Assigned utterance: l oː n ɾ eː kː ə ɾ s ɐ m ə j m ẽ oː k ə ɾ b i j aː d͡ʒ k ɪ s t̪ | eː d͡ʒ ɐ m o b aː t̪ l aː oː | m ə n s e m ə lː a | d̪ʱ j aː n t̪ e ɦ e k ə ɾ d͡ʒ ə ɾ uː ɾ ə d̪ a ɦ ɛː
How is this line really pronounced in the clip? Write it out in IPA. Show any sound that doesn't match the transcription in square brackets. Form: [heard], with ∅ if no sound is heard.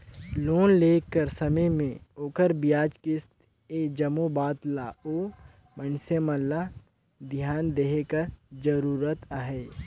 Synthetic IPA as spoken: l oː n [l] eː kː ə ɾ s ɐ m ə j m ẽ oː k ə ɾ b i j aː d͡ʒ k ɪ s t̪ | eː d͡ʒ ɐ m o b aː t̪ l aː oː | m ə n s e m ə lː a | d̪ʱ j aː n [d̪] e ɦ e k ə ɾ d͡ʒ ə ɾ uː ɾ ə [t̪] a ɦ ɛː